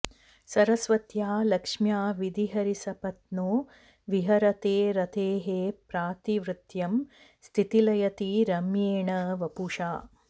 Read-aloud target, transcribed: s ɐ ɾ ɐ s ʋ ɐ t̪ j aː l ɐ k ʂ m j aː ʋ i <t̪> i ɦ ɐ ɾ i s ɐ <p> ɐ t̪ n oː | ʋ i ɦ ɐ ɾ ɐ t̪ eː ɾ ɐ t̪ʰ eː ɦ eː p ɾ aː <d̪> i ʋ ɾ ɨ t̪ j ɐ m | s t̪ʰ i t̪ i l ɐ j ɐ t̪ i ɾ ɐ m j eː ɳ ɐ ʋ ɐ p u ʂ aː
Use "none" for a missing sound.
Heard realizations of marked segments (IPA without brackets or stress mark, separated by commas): d̪, p, t̪